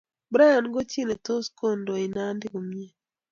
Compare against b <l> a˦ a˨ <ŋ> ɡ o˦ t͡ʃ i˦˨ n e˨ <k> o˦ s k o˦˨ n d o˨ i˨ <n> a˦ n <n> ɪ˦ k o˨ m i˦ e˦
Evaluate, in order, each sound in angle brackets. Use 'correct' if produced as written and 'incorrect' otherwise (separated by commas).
incorrect, incorrect, incorrect, correct, incorrect